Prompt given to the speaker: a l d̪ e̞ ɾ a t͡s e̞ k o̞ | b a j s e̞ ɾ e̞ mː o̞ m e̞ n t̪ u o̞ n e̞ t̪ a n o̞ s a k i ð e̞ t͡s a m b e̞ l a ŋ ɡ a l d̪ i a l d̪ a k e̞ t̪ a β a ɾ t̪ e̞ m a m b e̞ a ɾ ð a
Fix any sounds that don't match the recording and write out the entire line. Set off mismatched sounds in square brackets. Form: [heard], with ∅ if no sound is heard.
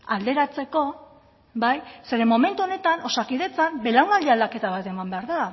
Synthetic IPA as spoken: a l d̪ e̞ ɾ a t͡s e̞ k o̞ | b a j s e̞ ɾ e̞ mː o̞ m e̞ n t̪ u o̞ n e̞ t̪ a n o̞ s a k i ð e̞ t͡s a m b e̞ l a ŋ ɡ a l d̪ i a l d̪ a k e̞ t̪ a β a [∅] t̪ e̞ m a m b e̞ a ɾ ð a

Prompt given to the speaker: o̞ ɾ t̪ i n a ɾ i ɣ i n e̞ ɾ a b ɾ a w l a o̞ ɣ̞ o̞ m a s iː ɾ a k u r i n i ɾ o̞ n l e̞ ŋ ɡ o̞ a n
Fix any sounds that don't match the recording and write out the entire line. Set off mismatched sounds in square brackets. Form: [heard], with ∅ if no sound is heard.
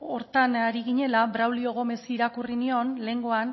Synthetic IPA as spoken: o̞ ɾ t̪ [a] n a ɾ i ɣ i [ɲ] e̞ [l] a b ɾ a w l [i] o̞ ɣ̞ o̞ m [e] s iː ɾ a k u r i n i [∅] o̞ n l e̞ ŋ ɡ o̞ a n

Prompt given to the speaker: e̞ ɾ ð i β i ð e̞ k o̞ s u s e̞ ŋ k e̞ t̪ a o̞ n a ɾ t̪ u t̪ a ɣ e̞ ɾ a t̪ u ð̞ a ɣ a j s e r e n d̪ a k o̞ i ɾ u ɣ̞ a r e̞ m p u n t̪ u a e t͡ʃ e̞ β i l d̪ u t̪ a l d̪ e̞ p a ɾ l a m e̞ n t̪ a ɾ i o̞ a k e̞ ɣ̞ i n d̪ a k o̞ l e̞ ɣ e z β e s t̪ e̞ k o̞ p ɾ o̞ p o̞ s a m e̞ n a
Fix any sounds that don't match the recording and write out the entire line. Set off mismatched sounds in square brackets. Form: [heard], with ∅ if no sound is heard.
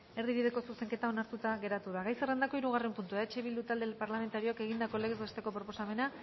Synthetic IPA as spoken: e̞ ɾ ð i β i ð e̞ k o̞ s u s e̞ ŋ k e̞ t̪ a o̞ n a ɾ t̪ u t̪ a ɣ e̞ ɾ a t̪ u ð̞ a ɣ a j s e r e n d̪ a k o̞ i ɾ u ɣ̞ a r e̞ m p u n t̪ u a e t͡ʃ e̞ β i l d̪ u t̪ a l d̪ e̞ p a ɾ l a m e̞ n t̪ a ɾ i o̞ a k e̞ ɣ̞ i n d̪ a k o̞ l e̞ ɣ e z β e s t̪ e̞ k o̞ p ɾ o̞ p o̞ s a m e̞ n a

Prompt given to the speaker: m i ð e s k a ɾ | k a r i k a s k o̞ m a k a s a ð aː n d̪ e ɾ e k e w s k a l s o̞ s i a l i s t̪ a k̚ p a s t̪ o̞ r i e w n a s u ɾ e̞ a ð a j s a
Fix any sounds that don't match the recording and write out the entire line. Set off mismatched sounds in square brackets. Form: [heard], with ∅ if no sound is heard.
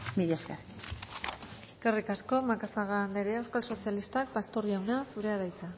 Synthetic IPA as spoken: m i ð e s k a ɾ | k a r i k a s k o̞ m a k a s a [ɣ] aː n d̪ e ɾ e [∅] e w s k a l s o̞ s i a l i s t̪ a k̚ p a s t̪ o̞ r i [a] w n a s u ɾ e̞ a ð a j [t͡s] a

